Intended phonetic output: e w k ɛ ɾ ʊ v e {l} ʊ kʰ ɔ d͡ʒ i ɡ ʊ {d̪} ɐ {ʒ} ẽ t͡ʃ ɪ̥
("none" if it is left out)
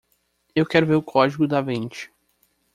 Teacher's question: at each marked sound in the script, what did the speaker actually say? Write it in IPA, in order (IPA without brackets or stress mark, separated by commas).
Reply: ɾ, d̪, v